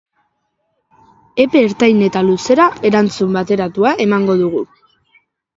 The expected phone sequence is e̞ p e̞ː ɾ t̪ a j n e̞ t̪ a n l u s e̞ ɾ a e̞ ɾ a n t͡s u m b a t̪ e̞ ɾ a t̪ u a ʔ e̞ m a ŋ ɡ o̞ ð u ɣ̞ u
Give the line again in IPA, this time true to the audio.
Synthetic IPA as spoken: e̞ p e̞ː ɾ t̪ a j n e̞ t̪ a l u s e̞ ɾ a e̞ ɾ a n t͡s u m b a t̪ e̞ ɾ a t̪ u a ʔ e̞ m a ŋ ɡ o̞ ð u ɣ̞ u